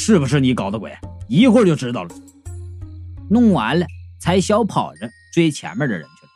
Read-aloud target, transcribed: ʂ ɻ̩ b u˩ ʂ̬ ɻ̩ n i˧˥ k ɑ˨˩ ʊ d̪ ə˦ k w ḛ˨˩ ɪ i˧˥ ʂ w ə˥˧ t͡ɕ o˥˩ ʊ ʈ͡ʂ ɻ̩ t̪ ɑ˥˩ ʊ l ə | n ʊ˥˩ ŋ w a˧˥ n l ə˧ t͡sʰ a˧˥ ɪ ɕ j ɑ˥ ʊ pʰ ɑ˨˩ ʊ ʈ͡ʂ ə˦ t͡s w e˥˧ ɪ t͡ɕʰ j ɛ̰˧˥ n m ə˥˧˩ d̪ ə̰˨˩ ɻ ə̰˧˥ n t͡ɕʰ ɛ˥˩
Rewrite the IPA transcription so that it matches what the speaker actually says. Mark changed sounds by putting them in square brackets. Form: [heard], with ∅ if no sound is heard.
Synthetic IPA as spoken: ʂ ɻ̩ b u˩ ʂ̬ ɻ̩ n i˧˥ k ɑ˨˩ ʊ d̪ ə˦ k w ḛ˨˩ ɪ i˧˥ [x] w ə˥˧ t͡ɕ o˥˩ ʊ ʈ͡ʂ ɻ̩ t̪ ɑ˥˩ ʊ l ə | n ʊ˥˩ ŋ w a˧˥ n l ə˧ t͡sʰ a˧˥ ɪ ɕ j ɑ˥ ʊ pʰ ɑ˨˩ ʊ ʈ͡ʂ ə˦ t͡s w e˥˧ ɪ t͡ɕʰ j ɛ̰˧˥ n m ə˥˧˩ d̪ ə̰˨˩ ɻ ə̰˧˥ n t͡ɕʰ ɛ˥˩